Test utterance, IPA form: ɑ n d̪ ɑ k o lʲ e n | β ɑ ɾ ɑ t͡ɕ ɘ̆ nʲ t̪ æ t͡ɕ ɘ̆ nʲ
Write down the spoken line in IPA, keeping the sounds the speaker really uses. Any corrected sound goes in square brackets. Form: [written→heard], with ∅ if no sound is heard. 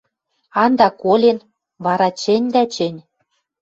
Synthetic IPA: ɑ n d̪ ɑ k o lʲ e n | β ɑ ɾ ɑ t͡ɕ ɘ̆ nʲ [t̪→d̪] æ t͡ɕ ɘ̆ nʲ